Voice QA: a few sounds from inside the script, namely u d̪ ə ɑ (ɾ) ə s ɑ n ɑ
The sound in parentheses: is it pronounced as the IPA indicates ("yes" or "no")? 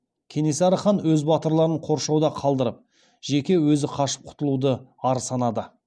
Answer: yes